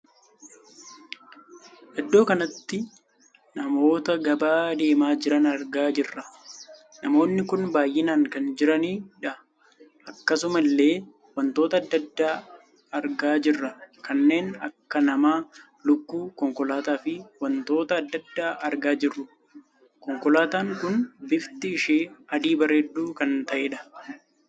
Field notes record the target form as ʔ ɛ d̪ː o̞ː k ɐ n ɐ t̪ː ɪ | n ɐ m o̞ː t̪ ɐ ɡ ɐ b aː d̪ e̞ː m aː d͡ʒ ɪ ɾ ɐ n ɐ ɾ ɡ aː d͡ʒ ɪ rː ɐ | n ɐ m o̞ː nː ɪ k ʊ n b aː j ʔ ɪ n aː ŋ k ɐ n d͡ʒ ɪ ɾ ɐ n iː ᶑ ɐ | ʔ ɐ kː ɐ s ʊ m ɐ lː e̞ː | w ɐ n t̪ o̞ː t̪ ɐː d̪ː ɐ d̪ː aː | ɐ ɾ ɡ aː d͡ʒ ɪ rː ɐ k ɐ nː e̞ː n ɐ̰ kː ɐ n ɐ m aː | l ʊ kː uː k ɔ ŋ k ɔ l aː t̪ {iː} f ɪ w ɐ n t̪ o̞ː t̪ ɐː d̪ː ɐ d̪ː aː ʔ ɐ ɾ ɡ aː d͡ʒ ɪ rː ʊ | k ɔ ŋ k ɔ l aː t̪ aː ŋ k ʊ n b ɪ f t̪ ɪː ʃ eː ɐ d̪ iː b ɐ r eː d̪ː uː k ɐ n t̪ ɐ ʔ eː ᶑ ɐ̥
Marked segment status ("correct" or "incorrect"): incorrect